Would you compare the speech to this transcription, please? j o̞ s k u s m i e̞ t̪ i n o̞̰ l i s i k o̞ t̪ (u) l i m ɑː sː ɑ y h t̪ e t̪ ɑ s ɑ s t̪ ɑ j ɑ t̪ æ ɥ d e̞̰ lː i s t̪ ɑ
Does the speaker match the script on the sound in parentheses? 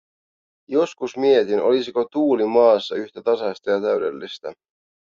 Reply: no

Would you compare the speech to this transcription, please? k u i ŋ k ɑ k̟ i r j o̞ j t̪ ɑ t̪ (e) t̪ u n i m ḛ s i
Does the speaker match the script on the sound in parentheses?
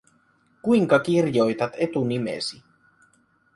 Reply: yes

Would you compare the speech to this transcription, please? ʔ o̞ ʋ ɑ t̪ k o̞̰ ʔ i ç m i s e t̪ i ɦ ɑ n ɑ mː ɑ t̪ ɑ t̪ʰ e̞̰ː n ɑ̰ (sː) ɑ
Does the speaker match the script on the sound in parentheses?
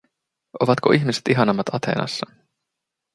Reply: yes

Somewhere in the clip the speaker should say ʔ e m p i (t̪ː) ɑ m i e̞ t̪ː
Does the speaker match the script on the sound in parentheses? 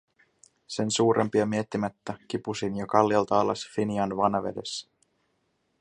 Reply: no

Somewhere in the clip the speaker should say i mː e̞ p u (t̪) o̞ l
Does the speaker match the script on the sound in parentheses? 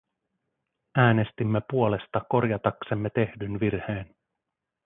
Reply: no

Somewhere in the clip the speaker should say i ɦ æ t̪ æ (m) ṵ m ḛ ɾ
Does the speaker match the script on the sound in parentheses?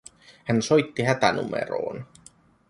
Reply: no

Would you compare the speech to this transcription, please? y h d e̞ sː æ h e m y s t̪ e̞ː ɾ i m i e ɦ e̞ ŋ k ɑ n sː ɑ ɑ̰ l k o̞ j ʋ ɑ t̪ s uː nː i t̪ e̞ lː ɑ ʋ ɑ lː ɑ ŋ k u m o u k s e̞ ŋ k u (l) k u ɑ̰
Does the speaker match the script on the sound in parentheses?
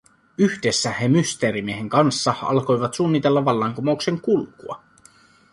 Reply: yes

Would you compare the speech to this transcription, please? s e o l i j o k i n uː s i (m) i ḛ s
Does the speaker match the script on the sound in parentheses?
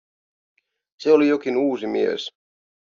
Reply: yes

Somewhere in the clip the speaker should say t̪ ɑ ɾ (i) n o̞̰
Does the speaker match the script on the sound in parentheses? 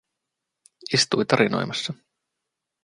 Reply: yes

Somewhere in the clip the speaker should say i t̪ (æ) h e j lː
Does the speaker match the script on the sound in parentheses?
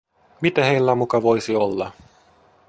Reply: yes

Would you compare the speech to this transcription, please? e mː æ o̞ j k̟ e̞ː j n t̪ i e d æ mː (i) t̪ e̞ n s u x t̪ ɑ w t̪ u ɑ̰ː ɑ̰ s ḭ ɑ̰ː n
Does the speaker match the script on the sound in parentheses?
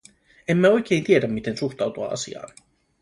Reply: yes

